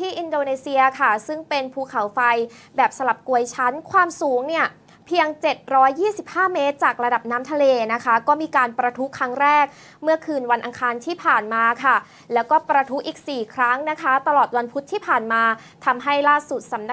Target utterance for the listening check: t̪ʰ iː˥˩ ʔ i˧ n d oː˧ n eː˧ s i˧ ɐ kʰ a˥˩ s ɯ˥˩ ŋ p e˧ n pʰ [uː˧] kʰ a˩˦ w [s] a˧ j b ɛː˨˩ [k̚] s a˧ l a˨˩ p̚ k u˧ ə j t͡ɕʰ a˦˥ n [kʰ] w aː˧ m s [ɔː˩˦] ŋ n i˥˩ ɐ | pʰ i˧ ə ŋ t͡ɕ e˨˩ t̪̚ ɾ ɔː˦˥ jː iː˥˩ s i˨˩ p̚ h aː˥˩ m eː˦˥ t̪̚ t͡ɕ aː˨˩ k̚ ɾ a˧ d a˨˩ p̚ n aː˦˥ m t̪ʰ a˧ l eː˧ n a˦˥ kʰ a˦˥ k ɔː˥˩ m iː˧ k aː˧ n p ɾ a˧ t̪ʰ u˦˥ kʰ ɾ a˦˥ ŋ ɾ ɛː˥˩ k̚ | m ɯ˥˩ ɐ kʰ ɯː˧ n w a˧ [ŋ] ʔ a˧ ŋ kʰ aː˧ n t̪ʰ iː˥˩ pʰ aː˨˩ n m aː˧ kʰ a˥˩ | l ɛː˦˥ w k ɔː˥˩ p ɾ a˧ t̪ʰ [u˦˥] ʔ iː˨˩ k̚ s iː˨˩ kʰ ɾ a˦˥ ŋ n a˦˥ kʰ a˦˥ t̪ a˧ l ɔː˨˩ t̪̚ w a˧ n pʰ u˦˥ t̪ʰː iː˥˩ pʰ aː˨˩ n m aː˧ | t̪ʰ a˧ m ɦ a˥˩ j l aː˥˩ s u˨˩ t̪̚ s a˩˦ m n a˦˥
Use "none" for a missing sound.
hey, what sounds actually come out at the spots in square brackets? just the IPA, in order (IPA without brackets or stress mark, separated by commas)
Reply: uː˧, f, p̚, kʰ, uː˩˦, n, u˦˥